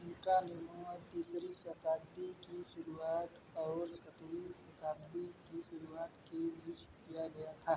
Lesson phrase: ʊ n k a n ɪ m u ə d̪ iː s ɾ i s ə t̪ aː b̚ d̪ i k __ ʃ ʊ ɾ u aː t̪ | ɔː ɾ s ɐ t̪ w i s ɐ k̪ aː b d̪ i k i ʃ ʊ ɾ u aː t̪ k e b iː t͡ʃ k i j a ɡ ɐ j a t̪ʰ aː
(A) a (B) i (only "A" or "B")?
B